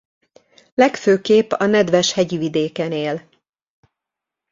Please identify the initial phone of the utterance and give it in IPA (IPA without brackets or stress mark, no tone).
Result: l